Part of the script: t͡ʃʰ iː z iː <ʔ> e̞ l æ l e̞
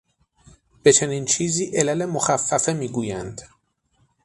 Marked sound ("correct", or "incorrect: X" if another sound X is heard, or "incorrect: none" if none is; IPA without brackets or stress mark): correct